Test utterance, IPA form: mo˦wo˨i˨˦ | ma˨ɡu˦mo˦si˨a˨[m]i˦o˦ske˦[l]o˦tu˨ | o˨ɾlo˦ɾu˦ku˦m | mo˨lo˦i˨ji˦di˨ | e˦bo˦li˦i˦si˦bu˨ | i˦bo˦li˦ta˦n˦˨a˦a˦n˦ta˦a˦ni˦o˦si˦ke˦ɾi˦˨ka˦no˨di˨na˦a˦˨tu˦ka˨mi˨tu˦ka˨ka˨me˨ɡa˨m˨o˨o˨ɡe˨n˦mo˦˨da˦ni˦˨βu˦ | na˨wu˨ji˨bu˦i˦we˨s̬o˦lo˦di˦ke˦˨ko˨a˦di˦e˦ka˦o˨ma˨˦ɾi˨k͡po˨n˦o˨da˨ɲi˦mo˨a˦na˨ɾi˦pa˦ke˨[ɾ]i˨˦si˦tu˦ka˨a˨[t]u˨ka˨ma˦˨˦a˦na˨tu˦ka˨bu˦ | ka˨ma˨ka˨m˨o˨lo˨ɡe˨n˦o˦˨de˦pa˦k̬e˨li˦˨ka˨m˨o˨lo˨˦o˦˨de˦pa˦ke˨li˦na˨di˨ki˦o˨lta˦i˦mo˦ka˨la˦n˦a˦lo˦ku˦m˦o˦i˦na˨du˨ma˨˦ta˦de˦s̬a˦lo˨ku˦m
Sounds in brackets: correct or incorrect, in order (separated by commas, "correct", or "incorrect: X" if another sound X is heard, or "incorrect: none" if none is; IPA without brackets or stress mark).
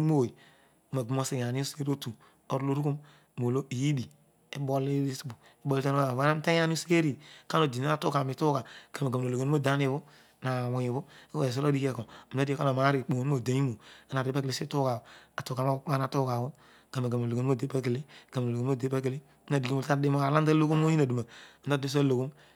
incorrect: n, incorrect: ɾ, incorrect: l, correct